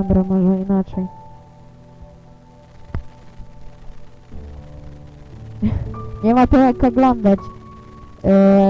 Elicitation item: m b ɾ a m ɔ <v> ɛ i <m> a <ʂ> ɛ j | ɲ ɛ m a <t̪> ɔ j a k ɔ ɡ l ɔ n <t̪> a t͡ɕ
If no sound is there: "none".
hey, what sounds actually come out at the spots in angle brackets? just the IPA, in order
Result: ʐ, n, t͡ʂ, t̪, d̪

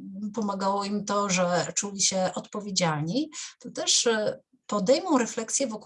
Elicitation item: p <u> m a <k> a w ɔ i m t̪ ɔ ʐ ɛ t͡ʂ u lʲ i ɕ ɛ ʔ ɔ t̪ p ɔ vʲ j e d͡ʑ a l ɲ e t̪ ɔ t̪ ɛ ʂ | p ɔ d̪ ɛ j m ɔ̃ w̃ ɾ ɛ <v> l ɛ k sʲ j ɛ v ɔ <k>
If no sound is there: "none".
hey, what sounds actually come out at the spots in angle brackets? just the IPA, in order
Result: ɔ, ɡ, f, k

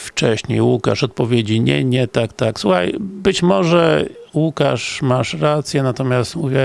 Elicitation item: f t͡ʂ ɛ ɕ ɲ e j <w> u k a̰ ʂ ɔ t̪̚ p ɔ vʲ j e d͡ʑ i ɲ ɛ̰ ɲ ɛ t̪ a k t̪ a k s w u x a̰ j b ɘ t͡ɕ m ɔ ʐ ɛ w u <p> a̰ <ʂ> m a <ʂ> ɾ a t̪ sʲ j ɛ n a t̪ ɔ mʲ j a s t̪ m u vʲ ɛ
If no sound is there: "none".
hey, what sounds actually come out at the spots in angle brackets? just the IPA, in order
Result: w, k, ʂ, ʂ

